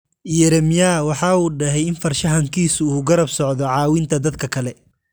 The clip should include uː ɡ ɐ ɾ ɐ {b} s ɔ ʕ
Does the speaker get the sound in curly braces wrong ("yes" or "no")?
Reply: no